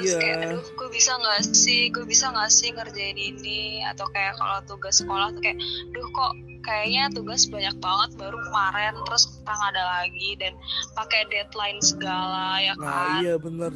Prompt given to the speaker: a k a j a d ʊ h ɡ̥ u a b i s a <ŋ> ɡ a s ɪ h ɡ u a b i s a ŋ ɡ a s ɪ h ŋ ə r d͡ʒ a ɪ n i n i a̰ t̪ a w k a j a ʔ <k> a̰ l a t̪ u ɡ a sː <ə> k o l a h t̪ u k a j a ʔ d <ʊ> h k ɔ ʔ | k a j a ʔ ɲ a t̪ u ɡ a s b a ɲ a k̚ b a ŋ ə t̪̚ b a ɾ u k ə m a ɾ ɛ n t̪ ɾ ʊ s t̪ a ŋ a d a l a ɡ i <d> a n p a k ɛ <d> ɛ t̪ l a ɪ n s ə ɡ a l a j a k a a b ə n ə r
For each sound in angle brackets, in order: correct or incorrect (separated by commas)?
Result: correct, correct, correct, correct, correct, correct